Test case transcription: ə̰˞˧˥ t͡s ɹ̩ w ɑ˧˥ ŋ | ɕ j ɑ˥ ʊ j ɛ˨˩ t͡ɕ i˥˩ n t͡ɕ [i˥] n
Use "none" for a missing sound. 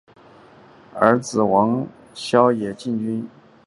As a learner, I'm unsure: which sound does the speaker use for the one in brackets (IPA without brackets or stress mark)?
y˥